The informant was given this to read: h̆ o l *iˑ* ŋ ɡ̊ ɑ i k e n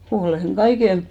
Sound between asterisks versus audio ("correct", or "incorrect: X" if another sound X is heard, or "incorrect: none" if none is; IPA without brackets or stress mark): incorrect: eˑ